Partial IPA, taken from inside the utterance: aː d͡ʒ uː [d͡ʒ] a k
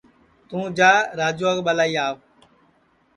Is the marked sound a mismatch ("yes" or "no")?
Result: yes